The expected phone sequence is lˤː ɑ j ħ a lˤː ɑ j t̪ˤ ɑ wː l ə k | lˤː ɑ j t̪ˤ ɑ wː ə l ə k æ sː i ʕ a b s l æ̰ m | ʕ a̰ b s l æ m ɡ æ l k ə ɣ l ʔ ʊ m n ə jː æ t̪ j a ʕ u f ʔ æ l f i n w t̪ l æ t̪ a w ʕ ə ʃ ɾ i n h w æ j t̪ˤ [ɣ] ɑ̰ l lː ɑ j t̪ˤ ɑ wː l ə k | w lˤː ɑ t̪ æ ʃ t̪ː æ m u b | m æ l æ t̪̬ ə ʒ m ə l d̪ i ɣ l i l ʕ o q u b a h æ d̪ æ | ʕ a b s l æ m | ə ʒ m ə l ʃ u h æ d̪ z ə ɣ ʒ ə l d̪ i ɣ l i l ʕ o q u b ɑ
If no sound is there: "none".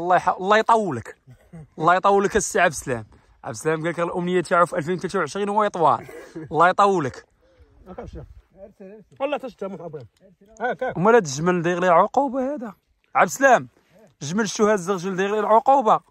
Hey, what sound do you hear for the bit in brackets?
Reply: w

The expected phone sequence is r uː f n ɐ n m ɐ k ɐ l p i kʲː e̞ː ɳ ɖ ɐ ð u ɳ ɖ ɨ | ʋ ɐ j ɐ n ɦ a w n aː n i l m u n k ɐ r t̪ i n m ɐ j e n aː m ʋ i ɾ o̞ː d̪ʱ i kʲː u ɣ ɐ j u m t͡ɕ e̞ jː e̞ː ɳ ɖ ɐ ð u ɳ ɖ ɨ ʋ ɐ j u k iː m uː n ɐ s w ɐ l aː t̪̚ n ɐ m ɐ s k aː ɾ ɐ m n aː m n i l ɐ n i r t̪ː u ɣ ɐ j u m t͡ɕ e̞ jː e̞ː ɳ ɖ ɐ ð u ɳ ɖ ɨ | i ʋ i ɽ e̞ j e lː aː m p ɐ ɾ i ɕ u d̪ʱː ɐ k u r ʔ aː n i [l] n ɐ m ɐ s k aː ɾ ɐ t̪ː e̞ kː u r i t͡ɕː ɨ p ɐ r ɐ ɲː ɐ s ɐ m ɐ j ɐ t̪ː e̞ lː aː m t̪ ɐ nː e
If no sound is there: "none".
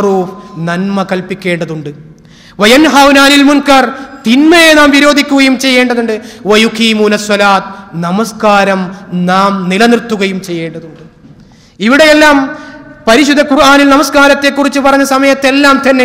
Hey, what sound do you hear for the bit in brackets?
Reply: l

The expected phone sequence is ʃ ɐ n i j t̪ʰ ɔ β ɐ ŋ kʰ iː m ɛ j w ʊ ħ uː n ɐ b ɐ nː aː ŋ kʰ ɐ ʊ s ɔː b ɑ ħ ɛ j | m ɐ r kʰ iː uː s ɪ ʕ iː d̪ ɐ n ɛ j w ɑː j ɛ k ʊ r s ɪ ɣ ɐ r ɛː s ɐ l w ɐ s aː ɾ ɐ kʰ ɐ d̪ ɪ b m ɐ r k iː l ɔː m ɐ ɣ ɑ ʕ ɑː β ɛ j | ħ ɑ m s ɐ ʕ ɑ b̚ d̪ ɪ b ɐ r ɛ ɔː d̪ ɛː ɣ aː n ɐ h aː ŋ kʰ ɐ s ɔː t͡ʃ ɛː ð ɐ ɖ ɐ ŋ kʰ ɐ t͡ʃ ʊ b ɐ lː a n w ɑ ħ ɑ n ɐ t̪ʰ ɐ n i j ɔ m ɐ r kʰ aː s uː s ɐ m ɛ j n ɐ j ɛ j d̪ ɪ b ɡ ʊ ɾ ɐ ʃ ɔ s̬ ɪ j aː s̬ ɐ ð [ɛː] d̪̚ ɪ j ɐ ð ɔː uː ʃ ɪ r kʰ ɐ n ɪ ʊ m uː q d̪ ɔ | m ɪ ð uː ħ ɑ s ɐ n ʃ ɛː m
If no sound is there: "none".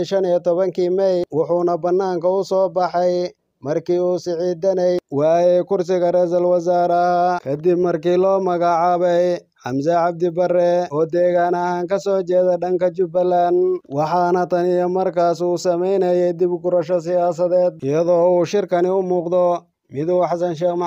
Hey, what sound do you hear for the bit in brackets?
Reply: ɛː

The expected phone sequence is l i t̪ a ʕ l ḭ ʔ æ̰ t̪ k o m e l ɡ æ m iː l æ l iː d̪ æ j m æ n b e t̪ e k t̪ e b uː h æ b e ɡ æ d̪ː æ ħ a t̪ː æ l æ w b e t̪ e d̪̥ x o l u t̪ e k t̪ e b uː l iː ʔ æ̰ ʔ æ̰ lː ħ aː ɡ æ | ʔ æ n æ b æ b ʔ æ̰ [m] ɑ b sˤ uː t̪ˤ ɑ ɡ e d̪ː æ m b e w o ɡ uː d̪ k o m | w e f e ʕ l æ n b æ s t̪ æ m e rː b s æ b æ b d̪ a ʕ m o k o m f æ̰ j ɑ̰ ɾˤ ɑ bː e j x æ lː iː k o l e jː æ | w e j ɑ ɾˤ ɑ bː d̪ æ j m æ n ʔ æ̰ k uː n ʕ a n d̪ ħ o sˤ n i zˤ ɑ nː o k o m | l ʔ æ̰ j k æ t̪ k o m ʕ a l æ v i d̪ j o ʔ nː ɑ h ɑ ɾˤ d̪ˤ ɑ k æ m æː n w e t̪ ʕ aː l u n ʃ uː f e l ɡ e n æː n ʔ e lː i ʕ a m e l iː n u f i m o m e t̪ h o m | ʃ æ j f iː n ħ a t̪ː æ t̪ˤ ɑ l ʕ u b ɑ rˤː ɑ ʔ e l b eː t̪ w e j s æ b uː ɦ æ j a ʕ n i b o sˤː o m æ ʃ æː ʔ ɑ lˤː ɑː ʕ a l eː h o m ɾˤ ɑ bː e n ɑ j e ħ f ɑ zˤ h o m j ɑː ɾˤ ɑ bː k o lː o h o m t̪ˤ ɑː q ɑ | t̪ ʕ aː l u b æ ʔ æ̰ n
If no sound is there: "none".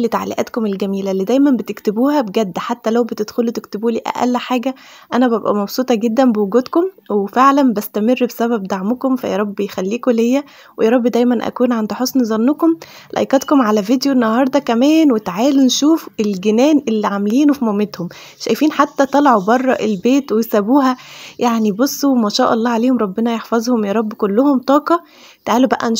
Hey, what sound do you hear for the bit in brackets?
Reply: m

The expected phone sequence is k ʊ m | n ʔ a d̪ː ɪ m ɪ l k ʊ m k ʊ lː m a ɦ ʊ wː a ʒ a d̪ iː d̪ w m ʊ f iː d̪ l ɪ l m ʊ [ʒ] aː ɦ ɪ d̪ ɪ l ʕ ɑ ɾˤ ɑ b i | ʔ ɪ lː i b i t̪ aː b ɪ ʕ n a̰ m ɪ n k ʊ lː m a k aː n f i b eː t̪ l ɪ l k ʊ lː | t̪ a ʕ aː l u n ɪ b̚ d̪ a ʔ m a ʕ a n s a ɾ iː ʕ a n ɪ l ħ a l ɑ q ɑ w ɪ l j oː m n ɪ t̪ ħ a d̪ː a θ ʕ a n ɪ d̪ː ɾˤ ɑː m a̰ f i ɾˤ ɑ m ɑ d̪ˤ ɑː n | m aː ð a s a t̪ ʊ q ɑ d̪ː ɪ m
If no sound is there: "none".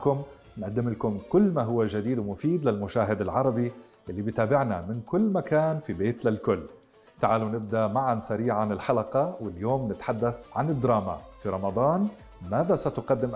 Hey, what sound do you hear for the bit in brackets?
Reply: ʃ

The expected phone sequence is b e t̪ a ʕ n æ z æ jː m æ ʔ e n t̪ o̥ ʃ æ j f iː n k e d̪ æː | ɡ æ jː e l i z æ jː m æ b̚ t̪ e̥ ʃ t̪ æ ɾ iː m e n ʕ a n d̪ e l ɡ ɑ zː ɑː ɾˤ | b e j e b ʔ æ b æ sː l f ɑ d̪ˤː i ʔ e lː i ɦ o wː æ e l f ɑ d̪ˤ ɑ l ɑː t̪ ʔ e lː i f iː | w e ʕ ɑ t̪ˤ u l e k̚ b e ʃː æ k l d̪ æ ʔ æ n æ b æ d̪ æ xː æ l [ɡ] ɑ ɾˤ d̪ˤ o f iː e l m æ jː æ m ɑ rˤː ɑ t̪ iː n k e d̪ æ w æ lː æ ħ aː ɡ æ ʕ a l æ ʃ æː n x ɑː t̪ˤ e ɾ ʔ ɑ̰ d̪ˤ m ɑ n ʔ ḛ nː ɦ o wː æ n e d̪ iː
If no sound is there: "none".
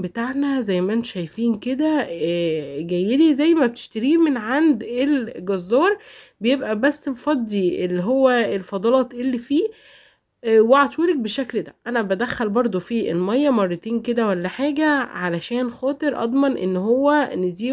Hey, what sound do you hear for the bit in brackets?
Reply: b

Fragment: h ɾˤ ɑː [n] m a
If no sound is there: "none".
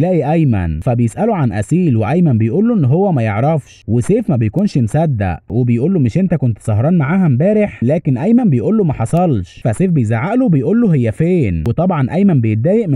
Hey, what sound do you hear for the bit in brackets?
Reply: n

